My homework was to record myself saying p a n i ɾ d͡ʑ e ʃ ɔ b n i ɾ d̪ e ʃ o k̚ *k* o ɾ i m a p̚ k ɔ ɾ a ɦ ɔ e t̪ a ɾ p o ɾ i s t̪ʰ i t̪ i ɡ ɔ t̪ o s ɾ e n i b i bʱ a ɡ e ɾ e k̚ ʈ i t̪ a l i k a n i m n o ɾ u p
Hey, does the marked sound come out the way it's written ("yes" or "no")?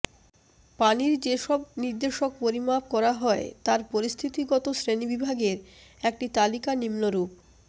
no